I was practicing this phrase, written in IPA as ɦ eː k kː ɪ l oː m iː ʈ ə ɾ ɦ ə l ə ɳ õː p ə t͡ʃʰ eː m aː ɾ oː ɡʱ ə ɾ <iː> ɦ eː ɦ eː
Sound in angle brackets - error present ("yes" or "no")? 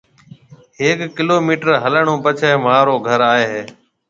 yes